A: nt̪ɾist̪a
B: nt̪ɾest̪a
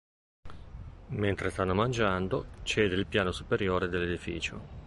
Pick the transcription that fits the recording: B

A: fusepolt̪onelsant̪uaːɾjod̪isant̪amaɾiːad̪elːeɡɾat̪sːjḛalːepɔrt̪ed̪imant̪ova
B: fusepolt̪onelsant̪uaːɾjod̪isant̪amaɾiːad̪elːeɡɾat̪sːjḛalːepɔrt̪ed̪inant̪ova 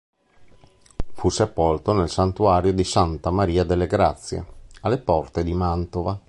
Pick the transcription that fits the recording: A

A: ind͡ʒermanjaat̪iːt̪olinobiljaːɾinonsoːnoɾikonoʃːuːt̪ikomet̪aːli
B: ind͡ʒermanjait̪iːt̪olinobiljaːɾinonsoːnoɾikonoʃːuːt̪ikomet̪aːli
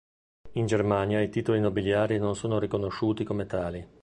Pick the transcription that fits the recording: B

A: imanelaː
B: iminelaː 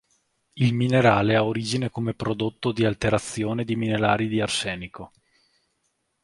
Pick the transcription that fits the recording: B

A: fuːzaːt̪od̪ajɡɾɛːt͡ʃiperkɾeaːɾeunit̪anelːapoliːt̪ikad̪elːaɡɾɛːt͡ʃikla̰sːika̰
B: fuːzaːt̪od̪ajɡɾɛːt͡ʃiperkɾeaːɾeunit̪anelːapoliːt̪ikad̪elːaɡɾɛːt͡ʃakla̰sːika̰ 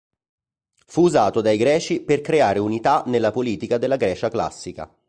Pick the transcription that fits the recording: B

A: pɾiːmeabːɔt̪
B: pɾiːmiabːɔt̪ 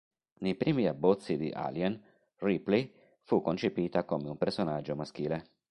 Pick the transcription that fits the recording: B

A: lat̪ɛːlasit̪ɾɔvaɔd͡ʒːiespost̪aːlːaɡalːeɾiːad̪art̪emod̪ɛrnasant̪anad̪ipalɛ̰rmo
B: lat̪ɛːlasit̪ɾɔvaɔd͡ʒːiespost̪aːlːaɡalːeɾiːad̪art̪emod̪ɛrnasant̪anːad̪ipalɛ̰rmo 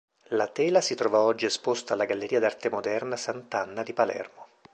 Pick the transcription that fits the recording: B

